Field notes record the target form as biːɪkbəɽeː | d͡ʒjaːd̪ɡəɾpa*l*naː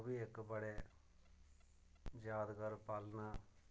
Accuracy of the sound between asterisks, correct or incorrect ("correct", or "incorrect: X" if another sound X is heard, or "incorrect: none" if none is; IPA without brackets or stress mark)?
correct